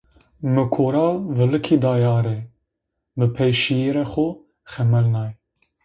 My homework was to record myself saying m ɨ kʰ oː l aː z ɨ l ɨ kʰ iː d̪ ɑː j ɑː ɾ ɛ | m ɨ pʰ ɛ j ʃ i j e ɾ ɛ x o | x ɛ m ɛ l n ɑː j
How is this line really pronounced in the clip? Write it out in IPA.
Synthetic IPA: m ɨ kʰ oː ɾ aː v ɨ l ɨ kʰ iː d̪ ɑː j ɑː ɾ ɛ | m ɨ pʰ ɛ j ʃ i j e ɾ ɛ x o | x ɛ m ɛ l n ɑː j